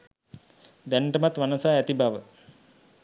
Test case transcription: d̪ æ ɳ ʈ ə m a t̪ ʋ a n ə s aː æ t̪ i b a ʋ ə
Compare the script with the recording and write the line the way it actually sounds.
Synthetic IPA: d̪ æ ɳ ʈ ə m a t̪ ʋ a n ə s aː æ t̪ i b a ʋ ə